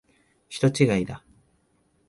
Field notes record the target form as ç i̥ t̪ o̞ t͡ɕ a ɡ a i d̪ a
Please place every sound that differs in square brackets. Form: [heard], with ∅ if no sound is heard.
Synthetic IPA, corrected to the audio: ç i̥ t̪ o̞ t͡ɕ [i] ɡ a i d̪ a